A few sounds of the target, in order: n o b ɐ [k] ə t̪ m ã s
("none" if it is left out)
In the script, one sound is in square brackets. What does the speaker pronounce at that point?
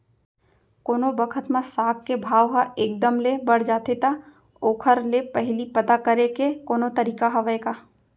kʰ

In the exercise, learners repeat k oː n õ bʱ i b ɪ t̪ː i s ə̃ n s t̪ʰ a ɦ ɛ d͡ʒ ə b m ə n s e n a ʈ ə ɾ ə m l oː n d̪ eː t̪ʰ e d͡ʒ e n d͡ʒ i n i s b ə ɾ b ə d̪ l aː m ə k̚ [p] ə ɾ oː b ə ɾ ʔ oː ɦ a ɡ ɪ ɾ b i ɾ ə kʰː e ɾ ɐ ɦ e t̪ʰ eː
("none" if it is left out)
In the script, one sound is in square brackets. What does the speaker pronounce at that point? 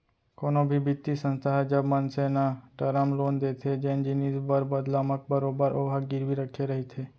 b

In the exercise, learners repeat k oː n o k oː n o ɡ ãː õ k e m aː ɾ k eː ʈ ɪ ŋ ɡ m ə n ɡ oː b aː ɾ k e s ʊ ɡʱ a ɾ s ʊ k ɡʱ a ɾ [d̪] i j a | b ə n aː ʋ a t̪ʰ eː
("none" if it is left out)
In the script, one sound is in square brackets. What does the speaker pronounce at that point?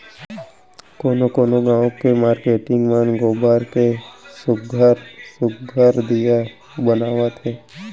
d̪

